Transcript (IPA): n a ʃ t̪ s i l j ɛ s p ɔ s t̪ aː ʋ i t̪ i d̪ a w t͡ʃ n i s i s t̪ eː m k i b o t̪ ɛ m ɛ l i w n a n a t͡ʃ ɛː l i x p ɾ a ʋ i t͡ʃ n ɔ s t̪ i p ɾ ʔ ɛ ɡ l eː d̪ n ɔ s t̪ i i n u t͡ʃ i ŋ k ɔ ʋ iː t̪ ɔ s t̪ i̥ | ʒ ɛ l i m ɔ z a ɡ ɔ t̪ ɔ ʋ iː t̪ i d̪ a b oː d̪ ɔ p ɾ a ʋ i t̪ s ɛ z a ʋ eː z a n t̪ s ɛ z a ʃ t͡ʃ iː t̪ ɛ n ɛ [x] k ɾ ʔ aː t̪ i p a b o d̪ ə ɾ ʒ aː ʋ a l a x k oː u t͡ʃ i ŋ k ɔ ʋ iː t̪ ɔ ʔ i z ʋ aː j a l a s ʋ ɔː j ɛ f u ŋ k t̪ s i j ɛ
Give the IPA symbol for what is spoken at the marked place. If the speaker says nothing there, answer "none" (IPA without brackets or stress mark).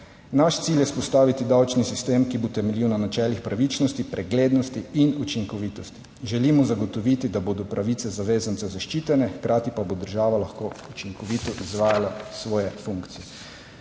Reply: x